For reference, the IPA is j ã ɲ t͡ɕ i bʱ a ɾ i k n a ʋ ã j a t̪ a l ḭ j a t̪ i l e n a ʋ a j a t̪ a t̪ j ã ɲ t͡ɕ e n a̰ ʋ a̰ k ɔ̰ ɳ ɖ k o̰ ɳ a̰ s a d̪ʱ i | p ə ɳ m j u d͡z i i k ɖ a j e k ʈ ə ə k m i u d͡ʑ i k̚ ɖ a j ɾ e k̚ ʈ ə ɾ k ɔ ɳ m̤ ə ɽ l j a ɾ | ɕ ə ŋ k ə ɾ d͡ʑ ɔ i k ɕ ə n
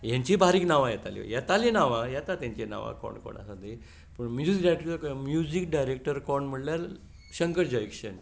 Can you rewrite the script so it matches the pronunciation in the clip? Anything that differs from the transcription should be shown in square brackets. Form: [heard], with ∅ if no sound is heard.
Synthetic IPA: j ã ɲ t͡ɕ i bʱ a ɾ i k n a ʋ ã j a t̪ a l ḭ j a t̪ [a] l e n a ʋ a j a t̪ a t̪ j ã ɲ t͡ɕ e n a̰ ʋ a̰ k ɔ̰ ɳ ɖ k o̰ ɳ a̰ s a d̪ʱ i | p ə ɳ m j u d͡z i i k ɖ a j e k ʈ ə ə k m [j] u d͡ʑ i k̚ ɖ a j ɾ e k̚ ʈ ə ɾ k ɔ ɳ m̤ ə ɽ l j a ɾ | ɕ ə ŋ k ə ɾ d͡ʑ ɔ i k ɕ ə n